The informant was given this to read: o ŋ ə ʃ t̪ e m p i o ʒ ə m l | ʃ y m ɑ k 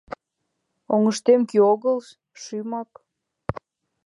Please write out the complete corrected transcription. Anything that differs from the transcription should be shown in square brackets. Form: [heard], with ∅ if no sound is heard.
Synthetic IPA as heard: o ŋ ə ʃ t̪ e m [k] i o [ɣ] ə [∅] l | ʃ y m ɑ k